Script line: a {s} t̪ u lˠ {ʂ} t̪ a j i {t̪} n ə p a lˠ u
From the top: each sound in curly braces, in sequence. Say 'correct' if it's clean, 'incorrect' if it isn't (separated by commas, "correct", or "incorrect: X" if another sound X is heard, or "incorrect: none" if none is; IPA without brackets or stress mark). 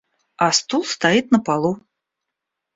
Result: correct, incorrect: s, correct